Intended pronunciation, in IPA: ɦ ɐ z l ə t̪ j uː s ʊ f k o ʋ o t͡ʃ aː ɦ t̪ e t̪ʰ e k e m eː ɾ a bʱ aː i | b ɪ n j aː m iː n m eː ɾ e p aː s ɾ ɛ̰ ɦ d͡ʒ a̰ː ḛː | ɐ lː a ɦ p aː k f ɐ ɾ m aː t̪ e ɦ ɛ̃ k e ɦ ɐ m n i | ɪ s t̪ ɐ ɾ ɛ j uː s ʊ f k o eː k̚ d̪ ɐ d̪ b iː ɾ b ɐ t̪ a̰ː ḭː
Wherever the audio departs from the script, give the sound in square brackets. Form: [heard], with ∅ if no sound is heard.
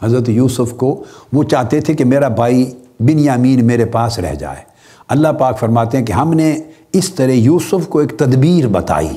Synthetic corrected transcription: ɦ ɐ z [ɾ] ə t̪ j uː s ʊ f k o ʋ o t͡ʃ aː ɦ t̪ e t̪ʰ e k e m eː ɾ a bʱ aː i | b ɪ n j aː m iː n m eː ɾ e p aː s ɾ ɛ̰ ɦ d͡ʒ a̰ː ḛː | ɐ lː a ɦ p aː k f ɐ ɾ m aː t̪ e ɦ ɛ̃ k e ɦ ɐ m n [e] | ɪ s t̪ ɐ ɾ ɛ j uː s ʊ f k o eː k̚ [t̪] ɐ d̪ b iː ɾ b ɐ t̪ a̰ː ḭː